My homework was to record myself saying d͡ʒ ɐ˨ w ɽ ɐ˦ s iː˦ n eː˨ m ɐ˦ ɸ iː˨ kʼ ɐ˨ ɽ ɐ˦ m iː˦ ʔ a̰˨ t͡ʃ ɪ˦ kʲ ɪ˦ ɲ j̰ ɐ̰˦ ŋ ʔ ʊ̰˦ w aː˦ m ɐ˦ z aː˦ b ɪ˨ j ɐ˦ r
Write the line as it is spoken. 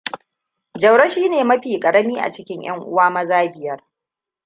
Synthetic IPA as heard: d͡ʒ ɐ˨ w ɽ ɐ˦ ʃ iː˦ n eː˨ m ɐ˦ ɸ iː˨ kʼ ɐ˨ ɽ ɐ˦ m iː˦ ʔ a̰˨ t͡ʃ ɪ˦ kʲ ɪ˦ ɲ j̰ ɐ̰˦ ŋ ʔ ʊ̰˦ w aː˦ m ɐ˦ z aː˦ b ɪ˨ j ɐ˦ r